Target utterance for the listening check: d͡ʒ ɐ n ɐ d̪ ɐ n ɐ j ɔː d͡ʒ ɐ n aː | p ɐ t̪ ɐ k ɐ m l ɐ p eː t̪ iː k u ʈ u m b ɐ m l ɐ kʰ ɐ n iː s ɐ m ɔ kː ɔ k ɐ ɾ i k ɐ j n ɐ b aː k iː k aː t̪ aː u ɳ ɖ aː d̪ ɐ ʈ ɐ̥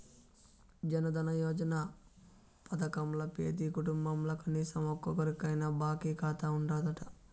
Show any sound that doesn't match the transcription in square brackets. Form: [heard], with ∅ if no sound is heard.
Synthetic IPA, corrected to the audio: d͡ʒ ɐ n ɐ d̪ ɐ n ɐ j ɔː d͡ʒ ɐ n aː | p ɐ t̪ ɐ k ɐ m l ɐ p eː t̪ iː k u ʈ u m b ɐ m l ɐ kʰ ɐ n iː s ɐ m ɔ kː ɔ k ɐ ɾ i k ɐ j n ɐ b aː k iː k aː t̪ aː u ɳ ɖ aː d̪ ɐ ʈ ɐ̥